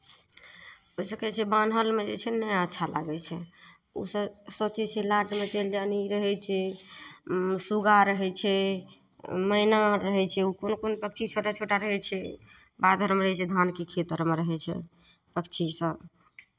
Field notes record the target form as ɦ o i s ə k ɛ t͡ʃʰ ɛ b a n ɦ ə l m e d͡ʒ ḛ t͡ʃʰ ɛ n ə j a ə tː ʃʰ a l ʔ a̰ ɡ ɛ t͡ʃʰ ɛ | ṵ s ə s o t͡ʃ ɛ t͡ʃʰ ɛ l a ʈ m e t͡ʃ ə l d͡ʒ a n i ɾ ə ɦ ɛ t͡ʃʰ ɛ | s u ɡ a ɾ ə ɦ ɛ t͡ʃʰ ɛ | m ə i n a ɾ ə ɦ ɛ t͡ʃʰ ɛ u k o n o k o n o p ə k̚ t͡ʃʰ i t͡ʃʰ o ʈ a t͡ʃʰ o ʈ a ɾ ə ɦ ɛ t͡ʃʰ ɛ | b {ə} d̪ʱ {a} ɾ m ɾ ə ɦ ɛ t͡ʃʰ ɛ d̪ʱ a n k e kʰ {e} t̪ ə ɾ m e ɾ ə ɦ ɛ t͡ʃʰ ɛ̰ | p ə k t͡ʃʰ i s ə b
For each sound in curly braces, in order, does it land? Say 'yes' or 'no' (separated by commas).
no, no, yes